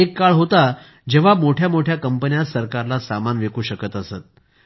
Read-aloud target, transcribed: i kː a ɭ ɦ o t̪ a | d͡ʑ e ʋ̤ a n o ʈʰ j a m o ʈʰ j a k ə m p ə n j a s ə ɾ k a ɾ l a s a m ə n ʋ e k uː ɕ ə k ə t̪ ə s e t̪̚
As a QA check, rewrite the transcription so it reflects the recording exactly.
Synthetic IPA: e kː a ɭ ɦ o t̪ a | d͡ʑ e ʋ̤ a m o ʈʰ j a m o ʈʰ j a k ə m p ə n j a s ə ɾ k a ɾ l a s a m a n ʋ e k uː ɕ ə k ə t̪ ə s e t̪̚